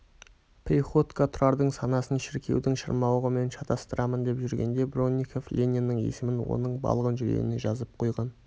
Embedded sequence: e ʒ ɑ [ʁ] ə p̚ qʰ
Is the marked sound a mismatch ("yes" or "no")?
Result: yes